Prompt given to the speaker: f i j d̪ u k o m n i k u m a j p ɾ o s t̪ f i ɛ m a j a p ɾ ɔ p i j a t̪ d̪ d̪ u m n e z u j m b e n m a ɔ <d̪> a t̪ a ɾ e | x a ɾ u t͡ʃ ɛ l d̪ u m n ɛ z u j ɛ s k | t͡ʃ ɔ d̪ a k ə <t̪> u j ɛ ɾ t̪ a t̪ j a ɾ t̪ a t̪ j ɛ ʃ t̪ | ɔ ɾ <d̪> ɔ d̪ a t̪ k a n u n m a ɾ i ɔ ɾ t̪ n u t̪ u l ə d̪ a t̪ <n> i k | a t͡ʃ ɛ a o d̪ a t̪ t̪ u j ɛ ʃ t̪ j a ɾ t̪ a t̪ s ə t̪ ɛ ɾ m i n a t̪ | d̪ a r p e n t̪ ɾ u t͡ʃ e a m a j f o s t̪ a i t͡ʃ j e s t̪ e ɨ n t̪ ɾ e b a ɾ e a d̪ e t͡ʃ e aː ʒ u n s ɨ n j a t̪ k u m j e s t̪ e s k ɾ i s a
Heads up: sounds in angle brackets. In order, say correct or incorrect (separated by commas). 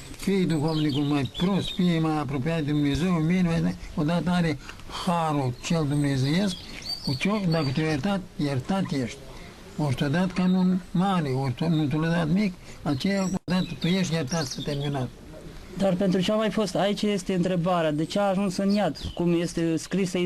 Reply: correct, correct, incorrect, incorrect